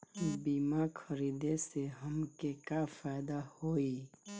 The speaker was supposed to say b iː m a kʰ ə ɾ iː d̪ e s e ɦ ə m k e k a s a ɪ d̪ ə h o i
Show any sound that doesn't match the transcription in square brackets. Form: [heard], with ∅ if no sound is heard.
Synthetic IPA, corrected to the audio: b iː m a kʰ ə ɾ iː d̪ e s e ɦ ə m k e k a [f] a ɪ d̪ [a] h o i